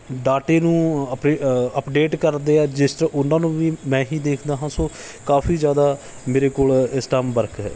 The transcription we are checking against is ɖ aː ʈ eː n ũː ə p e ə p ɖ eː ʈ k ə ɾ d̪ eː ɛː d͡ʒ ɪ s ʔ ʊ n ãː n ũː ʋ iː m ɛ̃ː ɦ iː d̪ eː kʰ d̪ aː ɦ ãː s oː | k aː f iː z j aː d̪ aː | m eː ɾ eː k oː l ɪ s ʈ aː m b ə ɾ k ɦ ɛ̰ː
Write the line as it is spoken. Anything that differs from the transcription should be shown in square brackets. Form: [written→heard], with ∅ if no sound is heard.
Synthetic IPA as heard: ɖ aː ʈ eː n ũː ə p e ə p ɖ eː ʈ k ə ɾ d̪ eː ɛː d͡ʒ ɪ s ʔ ʊ n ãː n ũː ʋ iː m ɛ̃ː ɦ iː d̪ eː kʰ d̪ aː ɦ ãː s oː | k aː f iː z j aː d̪ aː | m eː ɾ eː k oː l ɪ s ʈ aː m b ə ɾ k ɦ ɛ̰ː